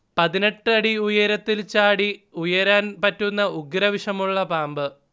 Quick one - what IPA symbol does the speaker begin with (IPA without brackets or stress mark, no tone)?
p